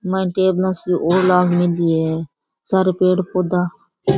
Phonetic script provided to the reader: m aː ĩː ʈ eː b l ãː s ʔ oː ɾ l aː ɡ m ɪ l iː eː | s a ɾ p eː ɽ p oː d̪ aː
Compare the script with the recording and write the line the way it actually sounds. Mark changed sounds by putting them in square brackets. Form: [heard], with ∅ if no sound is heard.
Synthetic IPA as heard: m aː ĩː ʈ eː b l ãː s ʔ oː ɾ l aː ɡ m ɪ l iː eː | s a ɾ p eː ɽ p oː d̪ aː